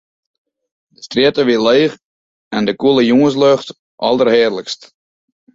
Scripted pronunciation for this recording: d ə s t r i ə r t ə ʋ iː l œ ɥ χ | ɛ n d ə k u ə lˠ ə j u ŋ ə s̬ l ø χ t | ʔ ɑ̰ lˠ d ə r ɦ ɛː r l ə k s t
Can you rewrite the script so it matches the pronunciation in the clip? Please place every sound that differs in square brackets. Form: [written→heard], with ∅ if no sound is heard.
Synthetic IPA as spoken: d ə s t r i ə [r→∅] t ə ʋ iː l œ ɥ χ | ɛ n d ə k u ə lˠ ə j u ŋ ə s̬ l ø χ t | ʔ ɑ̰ lˠ d ə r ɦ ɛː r l ə k s t